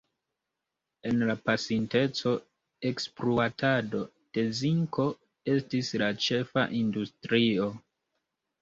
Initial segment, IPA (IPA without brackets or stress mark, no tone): e̞